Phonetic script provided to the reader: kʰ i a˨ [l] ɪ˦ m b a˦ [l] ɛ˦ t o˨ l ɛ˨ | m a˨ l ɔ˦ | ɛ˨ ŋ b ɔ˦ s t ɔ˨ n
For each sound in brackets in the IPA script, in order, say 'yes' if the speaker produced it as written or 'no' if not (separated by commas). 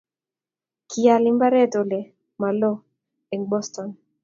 yes, no